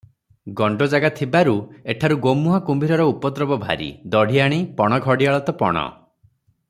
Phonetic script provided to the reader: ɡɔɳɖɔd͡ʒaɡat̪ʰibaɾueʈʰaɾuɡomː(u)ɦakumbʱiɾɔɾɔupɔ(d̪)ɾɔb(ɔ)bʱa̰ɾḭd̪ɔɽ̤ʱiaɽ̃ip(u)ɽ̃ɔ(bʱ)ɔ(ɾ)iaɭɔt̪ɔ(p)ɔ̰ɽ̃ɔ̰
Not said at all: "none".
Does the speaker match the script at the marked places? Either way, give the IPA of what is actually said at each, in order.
u, t̪, ɔ, ɔ, ɡʱ, ɽ, p

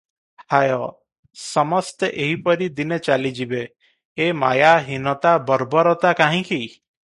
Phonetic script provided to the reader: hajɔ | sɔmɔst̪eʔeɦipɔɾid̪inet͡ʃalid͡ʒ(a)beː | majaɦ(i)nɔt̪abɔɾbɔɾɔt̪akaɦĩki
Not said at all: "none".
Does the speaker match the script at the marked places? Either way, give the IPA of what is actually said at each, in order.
i, i

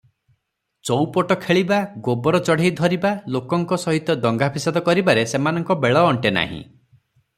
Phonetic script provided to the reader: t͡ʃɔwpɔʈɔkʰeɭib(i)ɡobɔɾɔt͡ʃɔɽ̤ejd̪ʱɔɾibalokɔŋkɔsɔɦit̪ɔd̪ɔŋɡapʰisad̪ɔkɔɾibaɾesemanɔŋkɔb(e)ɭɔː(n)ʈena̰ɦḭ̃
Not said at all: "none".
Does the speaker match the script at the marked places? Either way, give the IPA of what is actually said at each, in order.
a, e, ɳ

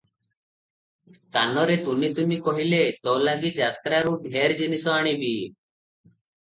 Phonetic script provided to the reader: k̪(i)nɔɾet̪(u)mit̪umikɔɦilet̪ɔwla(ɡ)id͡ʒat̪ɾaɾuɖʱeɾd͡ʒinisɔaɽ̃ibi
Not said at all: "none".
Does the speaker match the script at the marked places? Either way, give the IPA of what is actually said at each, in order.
a, u, ɡ

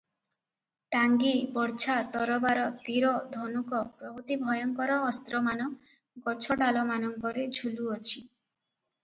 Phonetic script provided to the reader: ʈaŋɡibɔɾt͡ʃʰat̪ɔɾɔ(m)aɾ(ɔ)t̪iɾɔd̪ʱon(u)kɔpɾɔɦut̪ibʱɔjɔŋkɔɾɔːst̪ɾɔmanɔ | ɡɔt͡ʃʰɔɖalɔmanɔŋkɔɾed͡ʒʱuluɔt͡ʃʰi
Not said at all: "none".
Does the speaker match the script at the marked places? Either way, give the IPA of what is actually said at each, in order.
b, ɔ, u

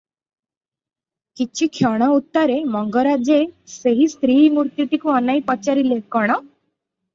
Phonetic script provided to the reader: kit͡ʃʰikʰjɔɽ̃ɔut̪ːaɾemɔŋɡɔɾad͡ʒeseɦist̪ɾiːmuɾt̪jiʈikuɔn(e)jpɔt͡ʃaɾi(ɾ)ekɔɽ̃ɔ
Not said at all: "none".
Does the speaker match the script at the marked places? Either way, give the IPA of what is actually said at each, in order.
a, l

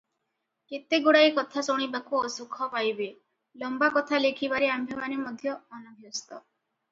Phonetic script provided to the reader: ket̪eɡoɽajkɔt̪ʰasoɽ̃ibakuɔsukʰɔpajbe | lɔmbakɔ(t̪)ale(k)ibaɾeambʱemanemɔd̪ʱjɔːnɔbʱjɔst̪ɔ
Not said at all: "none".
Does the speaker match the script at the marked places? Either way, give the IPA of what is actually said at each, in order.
t̪ʰ, kʰ

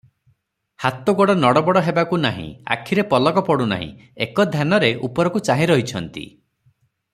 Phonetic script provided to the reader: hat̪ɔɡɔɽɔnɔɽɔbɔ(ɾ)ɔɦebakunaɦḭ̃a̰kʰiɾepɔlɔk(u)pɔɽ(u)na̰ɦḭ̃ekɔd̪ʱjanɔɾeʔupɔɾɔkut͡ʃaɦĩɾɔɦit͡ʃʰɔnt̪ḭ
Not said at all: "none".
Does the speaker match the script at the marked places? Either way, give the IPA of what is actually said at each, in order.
ɽ, ɔ, u

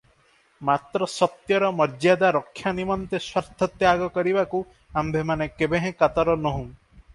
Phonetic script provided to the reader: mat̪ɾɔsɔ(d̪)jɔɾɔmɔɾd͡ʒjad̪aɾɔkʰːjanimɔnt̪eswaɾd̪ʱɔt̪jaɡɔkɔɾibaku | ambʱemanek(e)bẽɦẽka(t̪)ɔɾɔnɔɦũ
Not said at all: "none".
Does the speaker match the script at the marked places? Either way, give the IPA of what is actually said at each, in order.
t̪, e, t̪

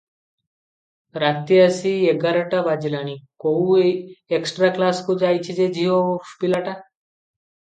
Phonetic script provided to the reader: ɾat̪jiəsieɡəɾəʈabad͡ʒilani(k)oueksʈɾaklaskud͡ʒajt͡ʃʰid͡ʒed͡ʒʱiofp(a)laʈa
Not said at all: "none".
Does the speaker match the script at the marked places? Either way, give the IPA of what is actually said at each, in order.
k, i

